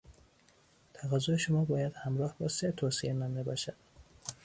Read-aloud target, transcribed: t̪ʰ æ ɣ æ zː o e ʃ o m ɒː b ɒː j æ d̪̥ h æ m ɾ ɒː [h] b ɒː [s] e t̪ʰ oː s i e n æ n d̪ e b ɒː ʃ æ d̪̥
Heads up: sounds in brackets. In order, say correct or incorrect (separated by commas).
correct, correct